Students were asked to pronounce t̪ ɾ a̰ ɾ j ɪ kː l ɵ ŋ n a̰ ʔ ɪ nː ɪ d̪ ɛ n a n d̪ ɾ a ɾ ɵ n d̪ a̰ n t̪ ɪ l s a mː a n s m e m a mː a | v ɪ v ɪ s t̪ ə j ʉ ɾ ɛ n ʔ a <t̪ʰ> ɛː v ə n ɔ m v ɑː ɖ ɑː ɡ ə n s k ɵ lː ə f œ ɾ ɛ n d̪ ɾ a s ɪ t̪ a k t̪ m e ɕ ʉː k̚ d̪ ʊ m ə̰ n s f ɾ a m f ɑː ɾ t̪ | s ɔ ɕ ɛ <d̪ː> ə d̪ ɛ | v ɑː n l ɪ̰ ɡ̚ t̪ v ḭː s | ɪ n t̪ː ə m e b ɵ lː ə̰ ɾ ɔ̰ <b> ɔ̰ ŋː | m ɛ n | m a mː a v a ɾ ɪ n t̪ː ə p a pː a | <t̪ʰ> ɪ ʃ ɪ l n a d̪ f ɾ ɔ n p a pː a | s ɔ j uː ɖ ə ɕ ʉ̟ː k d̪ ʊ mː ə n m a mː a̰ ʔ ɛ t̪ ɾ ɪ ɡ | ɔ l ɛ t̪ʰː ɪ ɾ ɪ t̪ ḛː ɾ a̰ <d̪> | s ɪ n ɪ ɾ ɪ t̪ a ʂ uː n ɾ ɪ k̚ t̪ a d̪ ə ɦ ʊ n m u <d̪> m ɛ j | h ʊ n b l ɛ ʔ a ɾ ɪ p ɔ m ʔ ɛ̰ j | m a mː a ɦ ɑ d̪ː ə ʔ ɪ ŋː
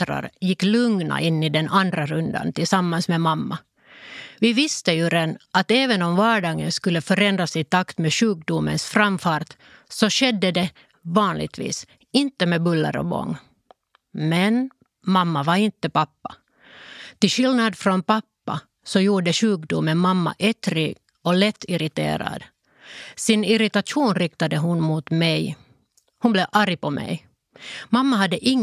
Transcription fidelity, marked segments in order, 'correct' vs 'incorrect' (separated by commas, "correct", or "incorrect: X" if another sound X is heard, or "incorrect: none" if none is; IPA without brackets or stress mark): incorrect: t̪, correct, correct, incorrect: t̪, correct, incorrect: t̪